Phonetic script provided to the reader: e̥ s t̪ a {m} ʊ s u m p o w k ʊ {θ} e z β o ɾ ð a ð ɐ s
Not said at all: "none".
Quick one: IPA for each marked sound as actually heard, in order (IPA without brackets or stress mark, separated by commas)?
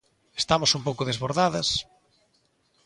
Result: m, ð